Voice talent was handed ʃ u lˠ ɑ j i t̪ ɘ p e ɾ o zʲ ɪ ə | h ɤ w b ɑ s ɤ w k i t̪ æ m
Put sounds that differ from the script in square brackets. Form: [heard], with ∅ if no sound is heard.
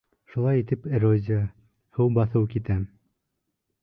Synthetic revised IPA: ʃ u lˠ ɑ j i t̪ ɘ p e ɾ o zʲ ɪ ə | h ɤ w b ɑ [θ] ɤ w k i t̪ æ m

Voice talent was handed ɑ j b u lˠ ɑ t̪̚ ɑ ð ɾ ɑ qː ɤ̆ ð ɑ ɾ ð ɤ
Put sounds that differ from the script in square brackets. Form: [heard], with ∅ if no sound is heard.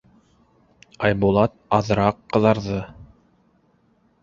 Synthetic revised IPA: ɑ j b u lˠ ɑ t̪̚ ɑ ð ɾ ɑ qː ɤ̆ ð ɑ ɾ ð ɤ

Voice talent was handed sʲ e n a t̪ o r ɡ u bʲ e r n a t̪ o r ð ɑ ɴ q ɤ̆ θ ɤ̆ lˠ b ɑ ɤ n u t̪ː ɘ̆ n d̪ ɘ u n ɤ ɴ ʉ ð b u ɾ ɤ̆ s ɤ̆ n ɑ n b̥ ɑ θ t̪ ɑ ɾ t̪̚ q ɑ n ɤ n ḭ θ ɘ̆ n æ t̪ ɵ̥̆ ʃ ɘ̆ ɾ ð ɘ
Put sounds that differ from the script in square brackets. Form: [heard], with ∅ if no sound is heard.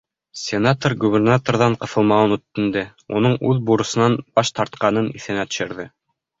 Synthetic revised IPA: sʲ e n a t̪ o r ɡ u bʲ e r n a t̪ o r ð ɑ ɴ q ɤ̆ θ ɤ̆ lˠ [m] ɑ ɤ n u t̪ː ɘ̆ n d̪ ɘ u n ɤ ɴ ʉ ð b u ɾ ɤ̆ s ɤ̆ n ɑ n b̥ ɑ [ʃ] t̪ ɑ ɾ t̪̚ q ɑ n ɤ n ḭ θ ɘ̆ n æ t̪ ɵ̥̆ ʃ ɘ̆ ɾ ð ɘ

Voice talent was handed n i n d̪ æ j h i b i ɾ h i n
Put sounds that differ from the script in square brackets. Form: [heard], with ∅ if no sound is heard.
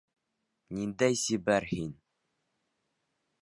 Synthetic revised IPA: n i n d̪ æ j [s] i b [æ] ɾ h i n

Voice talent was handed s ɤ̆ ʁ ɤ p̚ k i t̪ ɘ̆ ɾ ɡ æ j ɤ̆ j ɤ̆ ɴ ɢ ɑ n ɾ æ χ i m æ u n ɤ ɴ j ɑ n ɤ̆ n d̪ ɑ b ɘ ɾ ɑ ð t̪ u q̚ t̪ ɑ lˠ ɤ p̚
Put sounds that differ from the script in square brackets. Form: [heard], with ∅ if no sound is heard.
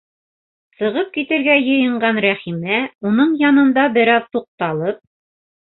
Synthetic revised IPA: s ɤ̆ ʁ ɤ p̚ k i t̪ ɘ̆ ɾ ɡ æ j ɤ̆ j ɤ̆ ɴ ɢ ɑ n ɾ æ χ i m æ u n ɤ ɴ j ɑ n ɤ̆ n d̪ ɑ b ɘ ɾ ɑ ð t̪ u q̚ t̪ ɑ lˠ ɤ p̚

